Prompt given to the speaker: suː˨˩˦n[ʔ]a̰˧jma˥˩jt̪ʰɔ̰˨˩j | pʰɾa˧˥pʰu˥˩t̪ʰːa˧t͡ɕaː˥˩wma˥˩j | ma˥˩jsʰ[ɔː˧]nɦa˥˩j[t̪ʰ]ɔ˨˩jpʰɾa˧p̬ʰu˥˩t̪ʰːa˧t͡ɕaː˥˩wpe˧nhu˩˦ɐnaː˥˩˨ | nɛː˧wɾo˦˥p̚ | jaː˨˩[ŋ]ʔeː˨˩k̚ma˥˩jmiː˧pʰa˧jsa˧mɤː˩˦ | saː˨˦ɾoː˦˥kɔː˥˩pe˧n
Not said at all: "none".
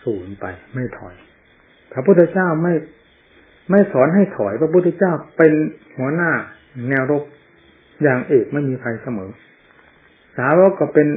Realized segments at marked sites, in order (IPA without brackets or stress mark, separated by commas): p, ɔː˩˦, t̪ʰ, ŋ